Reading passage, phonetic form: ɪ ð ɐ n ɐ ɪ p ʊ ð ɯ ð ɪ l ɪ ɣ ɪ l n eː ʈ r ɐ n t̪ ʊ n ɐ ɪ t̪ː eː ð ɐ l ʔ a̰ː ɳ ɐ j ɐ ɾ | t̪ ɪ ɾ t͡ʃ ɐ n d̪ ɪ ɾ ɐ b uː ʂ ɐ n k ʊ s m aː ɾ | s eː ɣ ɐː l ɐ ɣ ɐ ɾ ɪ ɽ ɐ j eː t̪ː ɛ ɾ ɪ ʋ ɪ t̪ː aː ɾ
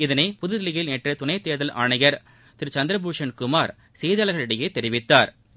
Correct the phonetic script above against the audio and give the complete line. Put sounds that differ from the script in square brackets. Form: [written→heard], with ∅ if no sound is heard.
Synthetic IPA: ɪ ð ɐ n ɐ ɪ p ʊ ð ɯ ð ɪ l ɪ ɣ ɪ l n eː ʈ r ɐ [n→∅] t̪ ʊ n ɐ ɪ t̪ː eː ð ɐ l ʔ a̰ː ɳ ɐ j ɐ ɾ | t̪ ɪ ɾ t͡ʃ ɐ n d̪ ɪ ɾ ɐ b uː ʂ ɐ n k ʊ [s→∅] m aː ɾ | s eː [ɣ→ð] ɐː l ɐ ɣ ɐ [ɾ→ɭ] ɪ ɽ ɐ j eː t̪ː ɛ ɾ ɪ ʋ ɪ t̪ː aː ɾ